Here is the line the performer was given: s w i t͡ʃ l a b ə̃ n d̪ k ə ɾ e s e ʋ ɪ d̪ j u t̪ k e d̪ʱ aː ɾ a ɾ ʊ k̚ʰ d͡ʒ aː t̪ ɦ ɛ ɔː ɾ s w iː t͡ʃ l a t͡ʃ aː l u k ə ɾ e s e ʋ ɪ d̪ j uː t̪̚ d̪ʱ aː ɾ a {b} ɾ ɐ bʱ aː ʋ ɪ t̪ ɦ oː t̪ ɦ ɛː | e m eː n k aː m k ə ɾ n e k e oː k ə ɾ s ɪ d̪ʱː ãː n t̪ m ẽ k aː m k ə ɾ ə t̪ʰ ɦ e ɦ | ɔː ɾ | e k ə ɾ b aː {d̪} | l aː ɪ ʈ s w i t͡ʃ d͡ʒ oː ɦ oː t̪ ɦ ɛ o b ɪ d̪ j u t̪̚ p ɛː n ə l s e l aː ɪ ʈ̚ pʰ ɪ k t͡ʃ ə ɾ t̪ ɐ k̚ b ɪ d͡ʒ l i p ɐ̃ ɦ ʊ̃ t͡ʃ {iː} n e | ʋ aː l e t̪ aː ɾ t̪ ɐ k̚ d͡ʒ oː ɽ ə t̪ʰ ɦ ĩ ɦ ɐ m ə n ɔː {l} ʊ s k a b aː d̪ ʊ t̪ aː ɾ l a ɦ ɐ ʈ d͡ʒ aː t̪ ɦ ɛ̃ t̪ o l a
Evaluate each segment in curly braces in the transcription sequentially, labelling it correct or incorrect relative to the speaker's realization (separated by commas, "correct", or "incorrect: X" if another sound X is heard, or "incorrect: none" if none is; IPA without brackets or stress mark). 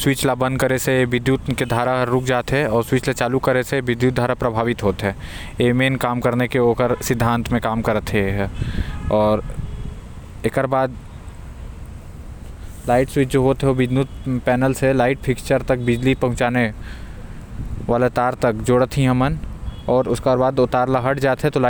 incorrect: p, correct, incorrect: aː, incorrect: ɾ